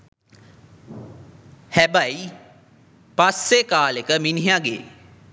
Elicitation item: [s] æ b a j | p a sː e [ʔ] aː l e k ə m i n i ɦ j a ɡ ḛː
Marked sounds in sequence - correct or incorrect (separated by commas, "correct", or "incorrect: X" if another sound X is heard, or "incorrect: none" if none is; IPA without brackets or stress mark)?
incorrect: h, incorrect: k